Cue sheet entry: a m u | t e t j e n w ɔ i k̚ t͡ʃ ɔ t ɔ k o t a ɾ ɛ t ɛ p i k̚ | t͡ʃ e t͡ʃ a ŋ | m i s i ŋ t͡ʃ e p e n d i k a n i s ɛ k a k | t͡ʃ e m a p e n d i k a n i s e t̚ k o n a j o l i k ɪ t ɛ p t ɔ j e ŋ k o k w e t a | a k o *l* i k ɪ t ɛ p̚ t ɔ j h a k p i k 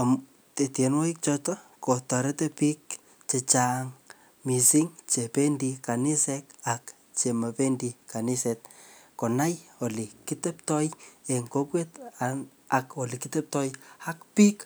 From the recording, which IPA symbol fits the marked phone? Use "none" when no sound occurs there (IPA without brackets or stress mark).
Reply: l